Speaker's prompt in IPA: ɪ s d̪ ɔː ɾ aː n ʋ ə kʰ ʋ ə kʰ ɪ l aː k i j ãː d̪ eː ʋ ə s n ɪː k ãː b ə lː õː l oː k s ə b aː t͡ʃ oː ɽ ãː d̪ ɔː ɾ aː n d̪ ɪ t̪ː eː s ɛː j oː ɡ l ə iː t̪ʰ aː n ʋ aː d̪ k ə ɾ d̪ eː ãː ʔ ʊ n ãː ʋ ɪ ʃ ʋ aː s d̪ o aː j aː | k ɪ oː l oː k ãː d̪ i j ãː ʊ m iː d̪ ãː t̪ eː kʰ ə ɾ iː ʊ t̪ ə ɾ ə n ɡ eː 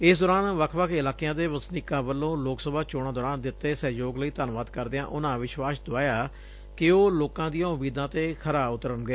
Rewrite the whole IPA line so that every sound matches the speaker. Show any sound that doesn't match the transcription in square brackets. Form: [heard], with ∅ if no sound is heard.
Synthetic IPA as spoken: ɪ s d̪ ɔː ɾ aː n ʋ ə kʰ ʋ ə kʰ ɪ l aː k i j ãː d̪ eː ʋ ə s n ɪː k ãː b ə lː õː l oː k s ə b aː t͡ʃ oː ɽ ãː d̪ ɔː ɾ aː n d̪ ɪ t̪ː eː s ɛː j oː ɡ l ə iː [t̪] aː n ʋ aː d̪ k ə ɾ d̪ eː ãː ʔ ʊ n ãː ʋ ɪ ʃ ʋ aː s d̪ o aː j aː | k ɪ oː l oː k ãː d̪ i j ãː ʊ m iː d̪ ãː t̪ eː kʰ ə ɾ [aː] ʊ t̪ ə ɾ ə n ɡ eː